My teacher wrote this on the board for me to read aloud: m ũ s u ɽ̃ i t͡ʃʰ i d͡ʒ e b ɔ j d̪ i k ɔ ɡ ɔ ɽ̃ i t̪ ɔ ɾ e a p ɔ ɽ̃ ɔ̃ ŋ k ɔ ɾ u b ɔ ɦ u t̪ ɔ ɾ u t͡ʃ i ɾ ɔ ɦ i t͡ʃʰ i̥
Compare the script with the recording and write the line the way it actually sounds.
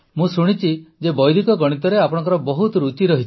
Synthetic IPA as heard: m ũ s u ɽ̃ i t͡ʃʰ i d͡ʒ e b ɔ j d̪ i k ɔ ɡ ɔ ɽ̃ i t̪ ɔ ɾ e a p ɔ ɽ̃ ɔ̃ ŋ k ɔ ɾ ɔ b ɔ ɦ u t̪ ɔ ɾ u t͡ʃ i ɾ ɔ ɦ i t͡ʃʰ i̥